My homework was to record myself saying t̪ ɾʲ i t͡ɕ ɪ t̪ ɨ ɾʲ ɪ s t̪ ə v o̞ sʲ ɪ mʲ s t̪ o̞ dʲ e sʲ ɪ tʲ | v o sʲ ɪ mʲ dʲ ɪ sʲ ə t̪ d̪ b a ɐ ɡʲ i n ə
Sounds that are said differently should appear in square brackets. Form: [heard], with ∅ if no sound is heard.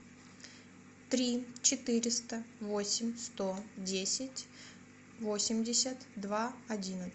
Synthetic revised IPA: t̪ ɾʲ i t͡ɕ ɪ t̪ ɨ ɾʲ ɪ s t̪ ə v o̞ sʲ ɪ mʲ s t̪ o̞ dʲ e sʲ ɪ tʲ | v o sʲ ɪ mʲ dʲ ɪ sʲ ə t̪ d̪ [v] a ɐ [dʲ] i n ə

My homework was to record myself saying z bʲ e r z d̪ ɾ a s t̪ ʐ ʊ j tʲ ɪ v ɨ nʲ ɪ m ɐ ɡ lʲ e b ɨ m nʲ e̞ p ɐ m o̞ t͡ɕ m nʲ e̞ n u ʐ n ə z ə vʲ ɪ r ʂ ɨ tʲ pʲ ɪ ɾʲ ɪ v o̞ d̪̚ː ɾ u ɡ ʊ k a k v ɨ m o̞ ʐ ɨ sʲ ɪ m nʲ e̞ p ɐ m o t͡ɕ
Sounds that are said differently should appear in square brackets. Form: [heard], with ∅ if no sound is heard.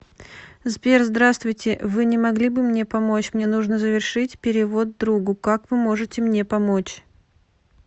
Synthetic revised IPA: z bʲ e r z d̪ ɾ a s t̪ [v] ʊ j tʲ ɪ v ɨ nʲ ɪ m ɐ ɡ lʲ [i] b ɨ m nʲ e̞ p ɐ m o̞ t͡ɕ m nʲ e̞ n u ʐ n ə z ə vʲ ɪ r ʂ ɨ tʲ pʲ ɪ ɾʲ ɪ v o̞ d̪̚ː ɾ u ɡ ʊ k a k v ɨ m o̞ ʐ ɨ [tʲ] ɪ m nʲ e̞ p ɐ m o t͡ɕ

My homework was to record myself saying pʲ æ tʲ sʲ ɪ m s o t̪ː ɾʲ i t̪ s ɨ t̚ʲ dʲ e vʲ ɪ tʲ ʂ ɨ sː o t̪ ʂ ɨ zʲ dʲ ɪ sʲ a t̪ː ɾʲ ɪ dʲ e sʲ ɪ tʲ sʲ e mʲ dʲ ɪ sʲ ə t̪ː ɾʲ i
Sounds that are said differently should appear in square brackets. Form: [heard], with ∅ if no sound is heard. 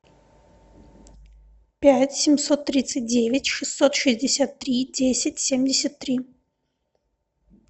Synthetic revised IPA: pʲ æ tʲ sʲ ɪ m s o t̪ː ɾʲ i t̪ s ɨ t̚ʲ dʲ e vʲ ɪ tʲ ʂ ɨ sː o t̪ ʂ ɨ zʲ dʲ ɪ sʲ a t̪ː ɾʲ [i] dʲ e sʲ ɪ tʲ sʲ e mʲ dʲ ɪ sʲ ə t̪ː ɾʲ i

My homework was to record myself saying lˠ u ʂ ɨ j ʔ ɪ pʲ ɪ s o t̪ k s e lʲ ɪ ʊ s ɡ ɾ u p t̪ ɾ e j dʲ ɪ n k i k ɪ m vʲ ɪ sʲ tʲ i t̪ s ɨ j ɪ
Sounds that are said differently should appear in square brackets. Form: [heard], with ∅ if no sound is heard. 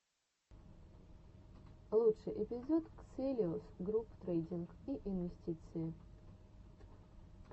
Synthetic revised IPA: lˠ u ʂ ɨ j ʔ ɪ pʲ ɪ [z] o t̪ k s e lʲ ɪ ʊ s ɡ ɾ u p t̪ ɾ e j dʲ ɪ n k i [ʔ] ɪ [n] vʲ ɪ sʲ tʲ i t̪ s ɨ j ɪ

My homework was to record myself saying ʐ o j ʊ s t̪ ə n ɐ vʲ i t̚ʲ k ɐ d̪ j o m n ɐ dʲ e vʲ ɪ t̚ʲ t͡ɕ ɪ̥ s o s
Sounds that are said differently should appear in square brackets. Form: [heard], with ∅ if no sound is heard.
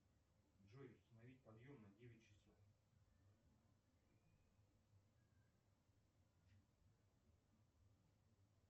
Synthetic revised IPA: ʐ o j ʊ s t̪ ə n ɐ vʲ i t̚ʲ [p] ɐ d̪ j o m n ɐ dʲ e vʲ ɪ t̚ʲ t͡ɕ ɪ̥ s o [f]

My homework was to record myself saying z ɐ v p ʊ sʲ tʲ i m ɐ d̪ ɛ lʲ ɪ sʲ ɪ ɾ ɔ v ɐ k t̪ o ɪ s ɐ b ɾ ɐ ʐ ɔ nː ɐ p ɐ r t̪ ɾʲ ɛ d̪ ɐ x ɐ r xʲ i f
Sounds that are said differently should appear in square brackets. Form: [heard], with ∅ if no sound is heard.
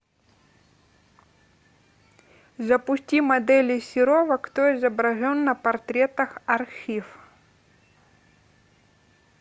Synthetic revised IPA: z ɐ [∅] p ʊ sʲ tʲ i m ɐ d̪ ɛ lʲ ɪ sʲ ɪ ɾ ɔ v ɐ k t̪ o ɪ [z] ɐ b ɾ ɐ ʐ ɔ nː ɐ p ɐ r t̪ ɾʲ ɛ [t̪] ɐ x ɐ r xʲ i f

